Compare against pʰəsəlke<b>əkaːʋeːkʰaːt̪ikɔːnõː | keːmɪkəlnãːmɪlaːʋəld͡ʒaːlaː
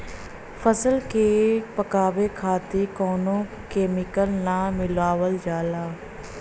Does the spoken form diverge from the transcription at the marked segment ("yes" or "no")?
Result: yes